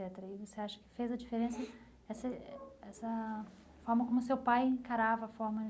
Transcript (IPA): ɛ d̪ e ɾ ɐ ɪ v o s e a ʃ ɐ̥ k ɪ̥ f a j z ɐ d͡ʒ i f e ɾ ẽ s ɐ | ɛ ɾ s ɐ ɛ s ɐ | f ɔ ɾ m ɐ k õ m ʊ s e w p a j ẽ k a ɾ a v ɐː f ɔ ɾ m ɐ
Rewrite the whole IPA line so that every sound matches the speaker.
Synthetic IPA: ɛ t̪ e ɾ ɐ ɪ v o s e a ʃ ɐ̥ k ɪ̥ f e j z ɐ d͡ʒ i f e ɾ ẽ s ɐ | ɛ s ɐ ɛ s ɐ | f ɔ ɾ m ɐ k õ m ʊ s e w p a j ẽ k a ɾ a v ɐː f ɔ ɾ m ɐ